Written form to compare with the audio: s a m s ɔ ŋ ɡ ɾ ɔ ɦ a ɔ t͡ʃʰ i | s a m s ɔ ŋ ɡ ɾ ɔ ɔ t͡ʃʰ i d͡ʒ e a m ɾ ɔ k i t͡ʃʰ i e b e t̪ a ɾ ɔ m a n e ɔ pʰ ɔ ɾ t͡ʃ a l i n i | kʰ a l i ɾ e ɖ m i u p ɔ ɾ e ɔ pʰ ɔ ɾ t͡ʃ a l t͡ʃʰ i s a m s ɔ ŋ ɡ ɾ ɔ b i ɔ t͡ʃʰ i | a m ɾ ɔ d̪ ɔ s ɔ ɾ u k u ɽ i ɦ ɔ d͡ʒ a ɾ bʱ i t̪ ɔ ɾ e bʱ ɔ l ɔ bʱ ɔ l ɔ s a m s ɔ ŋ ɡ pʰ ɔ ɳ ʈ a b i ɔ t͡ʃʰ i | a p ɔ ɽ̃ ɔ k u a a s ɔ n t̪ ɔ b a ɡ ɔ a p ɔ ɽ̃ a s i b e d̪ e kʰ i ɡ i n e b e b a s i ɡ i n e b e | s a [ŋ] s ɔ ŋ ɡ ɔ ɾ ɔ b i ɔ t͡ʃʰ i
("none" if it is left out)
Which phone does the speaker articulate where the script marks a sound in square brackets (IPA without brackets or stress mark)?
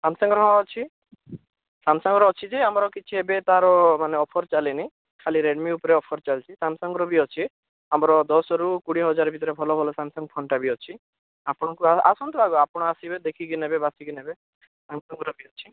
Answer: m